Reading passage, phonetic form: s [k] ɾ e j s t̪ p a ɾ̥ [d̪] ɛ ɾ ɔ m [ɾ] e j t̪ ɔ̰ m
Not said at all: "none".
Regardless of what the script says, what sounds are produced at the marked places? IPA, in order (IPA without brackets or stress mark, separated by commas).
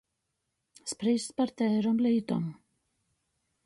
p, t̪, l